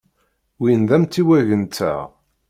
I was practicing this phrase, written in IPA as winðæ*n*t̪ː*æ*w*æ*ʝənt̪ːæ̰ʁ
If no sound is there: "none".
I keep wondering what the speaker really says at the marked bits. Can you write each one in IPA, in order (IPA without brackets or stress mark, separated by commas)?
m, i, æ